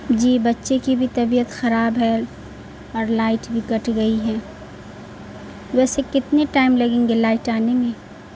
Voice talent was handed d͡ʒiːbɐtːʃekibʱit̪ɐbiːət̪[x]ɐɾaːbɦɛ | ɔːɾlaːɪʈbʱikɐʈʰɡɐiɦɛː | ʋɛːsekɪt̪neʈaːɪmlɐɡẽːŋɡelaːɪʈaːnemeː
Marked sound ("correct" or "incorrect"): correct